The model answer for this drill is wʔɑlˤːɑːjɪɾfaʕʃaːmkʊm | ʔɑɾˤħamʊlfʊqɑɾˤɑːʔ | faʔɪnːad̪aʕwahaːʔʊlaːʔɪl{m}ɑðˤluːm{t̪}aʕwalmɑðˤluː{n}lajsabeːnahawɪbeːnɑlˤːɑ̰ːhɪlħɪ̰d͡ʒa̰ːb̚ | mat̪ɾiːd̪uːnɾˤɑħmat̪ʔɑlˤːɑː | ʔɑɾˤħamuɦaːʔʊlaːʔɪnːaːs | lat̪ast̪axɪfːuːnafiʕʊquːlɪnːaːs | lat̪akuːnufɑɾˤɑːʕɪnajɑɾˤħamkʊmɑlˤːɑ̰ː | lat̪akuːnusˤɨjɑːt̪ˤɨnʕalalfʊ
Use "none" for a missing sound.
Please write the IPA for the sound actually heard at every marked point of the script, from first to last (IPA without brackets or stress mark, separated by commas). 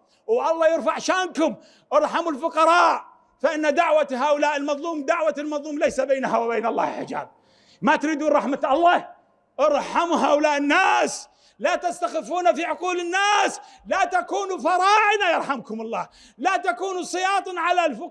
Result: m, d̪, m